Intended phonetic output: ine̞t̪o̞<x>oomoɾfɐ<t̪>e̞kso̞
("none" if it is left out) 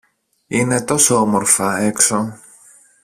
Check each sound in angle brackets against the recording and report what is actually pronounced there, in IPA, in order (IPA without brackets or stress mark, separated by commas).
s, none